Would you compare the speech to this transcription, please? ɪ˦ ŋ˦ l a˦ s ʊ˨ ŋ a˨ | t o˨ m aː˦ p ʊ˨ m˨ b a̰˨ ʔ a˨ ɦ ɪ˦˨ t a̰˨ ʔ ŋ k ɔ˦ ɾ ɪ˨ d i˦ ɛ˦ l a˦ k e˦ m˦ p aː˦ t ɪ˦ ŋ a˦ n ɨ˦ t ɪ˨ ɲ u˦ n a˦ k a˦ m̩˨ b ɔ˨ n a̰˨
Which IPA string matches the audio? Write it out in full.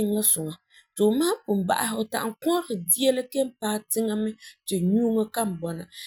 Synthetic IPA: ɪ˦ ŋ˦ l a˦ s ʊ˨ ŋ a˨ | t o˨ m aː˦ p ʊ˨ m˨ b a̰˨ ʔ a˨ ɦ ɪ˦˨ t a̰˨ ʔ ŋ k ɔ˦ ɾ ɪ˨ d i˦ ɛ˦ l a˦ k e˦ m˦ p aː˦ t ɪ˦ ŋ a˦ m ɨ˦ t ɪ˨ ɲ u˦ ŋ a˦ k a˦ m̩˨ b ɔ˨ n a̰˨